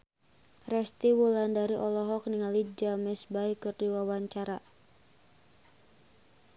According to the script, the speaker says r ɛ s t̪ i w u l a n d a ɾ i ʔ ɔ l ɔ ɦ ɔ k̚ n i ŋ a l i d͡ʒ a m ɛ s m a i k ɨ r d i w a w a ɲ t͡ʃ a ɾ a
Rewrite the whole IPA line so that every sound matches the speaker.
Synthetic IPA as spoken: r ɛ s t̪ i w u l a n d a ɾ i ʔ ɔ l ɔ ɦ ɔ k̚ n i ŋ a l i d͡ʒ a m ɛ s b a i k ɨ r d i w a w a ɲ t͡ʃ a ɾ a